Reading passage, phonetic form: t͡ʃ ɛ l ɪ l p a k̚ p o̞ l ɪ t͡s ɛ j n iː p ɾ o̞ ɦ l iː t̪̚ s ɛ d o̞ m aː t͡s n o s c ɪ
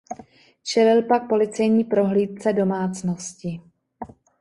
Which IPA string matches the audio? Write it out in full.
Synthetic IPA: t͡ʃ ɛ l ɪ l p a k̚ p o̞ l ɪ t͡s ɛ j ɲ iː p ɾ o̞ ɦ l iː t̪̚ t͡s ɛ d o̞ m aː t͡s n o s c ɪ

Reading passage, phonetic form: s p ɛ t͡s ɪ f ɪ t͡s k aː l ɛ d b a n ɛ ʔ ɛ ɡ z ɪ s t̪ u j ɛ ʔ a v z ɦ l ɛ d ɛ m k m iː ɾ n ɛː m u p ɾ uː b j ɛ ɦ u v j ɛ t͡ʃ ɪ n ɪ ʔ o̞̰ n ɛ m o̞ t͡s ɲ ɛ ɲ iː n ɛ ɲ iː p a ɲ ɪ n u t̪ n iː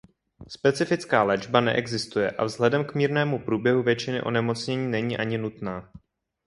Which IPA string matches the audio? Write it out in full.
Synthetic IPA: s p ɛ t͡s ɪ f ɪ t͡s k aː l ɛ d͡ʒ b a n ɛ ʔ ɛ ɡ z ɪ s t̪ u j ɛ ʔ a v z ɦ l ɛ d ɛ m k m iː ɾ n ɛː m u p ɾ uː b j ɛ ɦ u v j ɛ t͡ʃ ɪ n ɪ ʔ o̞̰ n ɛ m o̞ t͡s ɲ ɛ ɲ iː n ɛ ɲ iː ʔ a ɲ ɪ n u t̪ n aː

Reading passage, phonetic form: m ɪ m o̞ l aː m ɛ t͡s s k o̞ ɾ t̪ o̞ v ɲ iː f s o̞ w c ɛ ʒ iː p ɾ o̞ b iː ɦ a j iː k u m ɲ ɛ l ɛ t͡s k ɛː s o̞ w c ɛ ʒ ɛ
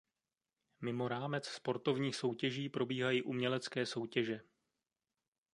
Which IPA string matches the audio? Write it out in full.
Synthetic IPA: m ɪ m o̞ ɾ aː m ɛ t͡s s p o̞ ɾ t̪ o̞ v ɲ iː x s o̞ w c ɛ ʒ iː p ɾ o̞ b iː ɦ a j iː ʔ u m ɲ ɛ l ɛ t͡s k ɛː s o̞ w c ɛ ʒ ɛ

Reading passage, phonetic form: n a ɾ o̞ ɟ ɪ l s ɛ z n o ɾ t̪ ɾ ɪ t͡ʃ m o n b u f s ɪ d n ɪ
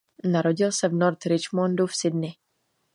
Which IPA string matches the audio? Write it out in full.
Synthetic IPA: n a ɾ o̞ ɟ ɪ l s ɛ v n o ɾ t̪ ɾ ɪ t͡ʃ m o n d u f s ɪ d n ɪ

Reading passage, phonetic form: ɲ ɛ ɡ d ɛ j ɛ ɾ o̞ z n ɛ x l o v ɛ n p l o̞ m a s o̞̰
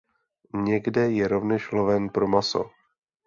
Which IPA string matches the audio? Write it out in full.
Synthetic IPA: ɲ ɛ ɡ d ɛ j ɛ ɾ o̞ v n ɛ ʃ l o v ɛ n p ɾ o̞ m a s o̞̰

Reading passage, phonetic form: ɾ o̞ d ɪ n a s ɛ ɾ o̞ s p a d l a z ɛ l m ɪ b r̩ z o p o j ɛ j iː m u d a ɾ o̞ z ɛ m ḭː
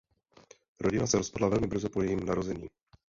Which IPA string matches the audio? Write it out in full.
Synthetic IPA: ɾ o̞ ɟ ɪ n a s ɛ ɾ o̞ s p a d l a v ɛ l m ɪ b r̩ z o p o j ɛ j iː m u n a ɾ o̞ z ɛ ɲ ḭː

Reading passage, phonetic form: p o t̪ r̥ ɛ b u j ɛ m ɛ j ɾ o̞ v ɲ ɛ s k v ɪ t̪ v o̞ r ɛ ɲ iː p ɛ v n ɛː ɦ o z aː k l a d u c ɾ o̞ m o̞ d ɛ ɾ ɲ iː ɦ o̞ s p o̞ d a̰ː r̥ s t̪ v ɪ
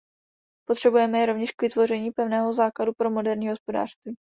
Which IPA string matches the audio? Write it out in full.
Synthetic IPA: p o t̪ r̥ ɛ b u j ɛ m ɛ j ɾ o̞ v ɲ ɛ ʃ k v ɪ t̪ v o̞ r ɛ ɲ iː p ɛ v n ɛː ɦ o z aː k l a d u p ɾ o̞ m o̞ d ɛ ɾ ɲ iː ɦ o̞ s p o̞ d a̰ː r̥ s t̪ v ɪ

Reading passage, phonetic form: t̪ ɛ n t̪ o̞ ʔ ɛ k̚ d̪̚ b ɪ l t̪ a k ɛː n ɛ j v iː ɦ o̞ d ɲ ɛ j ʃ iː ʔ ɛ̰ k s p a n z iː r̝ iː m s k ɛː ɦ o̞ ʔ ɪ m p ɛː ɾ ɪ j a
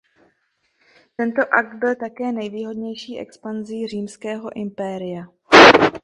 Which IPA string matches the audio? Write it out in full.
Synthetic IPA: t̪ ɛ n t̪ o̞ ʔ a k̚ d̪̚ b ɪ l t̪ a k ɛː n ɛ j v iː ɦ o̞ d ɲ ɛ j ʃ iː ʔ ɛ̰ k s p a n z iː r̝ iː m s k ɛː ɦ o̞ ʔ ɪ m p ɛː ɾ ɪ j a

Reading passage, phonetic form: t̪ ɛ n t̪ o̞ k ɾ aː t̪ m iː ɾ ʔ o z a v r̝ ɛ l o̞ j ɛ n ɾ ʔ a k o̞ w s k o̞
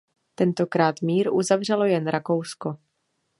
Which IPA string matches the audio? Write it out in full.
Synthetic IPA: t̪ ɛ n t̪ o̞ k ɾ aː t̪ m iː ɾ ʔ u z a v r̝ ɛ l o̞ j ɛ n ɾ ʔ a k o̞ w s k o̞

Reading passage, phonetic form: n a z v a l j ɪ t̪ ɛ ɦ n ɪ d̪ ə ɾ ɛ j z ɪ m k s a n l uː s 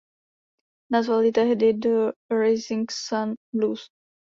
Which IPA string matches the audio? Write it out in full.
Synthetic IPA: n a z v a l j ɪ t̪ ɛ ɦ d ɪ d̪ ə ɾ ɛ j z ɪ ŋ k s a n l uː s

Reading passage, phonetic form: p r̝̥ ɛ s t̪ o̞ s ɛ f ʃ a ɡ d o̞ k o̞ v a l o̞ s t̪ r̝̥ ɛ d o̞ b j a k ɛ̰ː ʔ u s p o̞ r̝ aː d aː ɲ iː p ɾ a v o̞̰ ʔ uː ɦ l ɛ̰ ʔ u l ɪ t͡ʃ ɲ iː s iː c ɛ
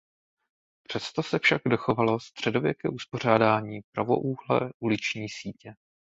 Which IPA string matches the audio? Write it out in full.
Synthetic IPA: p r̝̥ ɛ s t̪ o̞ s ɛ f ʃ a ɡ d o̞ x o̞ v a l o̞ s t̪ r̝̥ ɛ d o̞ v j ɛ k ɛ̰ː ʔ u s p o̞ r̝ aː d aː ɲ iː p ɾ a v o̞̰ ʔ uː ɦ l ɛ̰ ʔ u l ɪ t͡ʃ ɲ iː s iː c ɛ

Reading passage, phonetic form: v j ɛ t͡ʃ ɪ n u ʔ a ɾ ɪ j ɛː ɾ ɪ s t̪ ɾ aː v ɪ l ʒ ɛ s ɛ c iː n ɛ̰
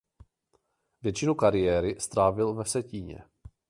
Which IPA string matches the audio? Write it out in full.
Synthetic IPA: v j ɛ t͡ʃ ɪ n u k a ɾ ɪ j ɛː ɾ ɪ s t̪ ɾ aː v ɪ l v ɛ s ɛ c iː ɲ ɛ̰

